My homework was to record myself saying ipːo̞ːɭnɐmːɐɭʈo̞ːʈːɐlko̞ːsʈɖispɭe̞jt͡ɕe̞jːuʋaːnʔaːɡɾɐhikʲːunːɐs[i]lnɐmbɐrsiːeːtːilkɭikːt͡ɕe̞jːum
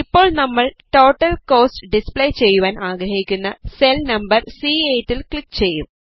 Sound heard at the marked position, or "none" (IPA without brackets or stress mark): e